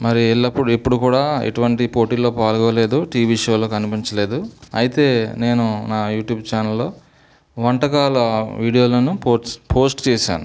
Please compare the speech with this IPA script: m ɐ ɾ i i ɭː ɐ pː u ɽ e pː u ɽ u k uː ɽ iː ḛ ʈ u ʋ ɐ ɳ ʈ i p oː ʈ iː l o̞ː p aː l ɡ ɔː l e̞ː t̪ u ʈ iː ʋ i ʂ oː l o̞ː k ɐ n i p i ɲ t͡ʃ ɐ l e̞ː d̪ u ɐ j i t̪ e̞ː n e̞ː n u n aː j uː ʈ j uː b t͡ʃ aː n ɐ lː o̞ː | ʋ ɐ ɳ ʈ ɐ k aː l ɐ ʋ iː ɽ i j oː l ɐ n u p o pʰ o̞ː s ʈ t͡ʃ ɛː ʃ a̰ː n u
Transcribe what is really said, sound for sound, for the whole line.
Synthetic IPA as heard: m ɐ ɾ i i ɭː ɐ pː u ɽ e pː u ɽ u k uː ɽ aː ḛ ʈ u ʋ ɐ ɳ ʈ i p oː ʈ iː l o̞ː p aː l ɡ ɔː l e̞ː d̪ u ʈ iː ʋ i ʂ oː l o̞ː k ɐ n i p i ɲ t͡ʃ ɐ l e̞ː d̪ u ɐ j i t̪ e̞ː n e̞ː n u n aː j uː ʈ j uː b t͡ʃ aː n ɐ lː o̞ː | ʋ ɐ ɳ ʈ ɐ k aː l ɐ ʋ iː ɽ i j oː l ɐ n u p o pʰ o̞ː s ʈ t͡ʃ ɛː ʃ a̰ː n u